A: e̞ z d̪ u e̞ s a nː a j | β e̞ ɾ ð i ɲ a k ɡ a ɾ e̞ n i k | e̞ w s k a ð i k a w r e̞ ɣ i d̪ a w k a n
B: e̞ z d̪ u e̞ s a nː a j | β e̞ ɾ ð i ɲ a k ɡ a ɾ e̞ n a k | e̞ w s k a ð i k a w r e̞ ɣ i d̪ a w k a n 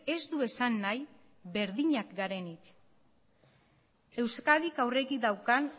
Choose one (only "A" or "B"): A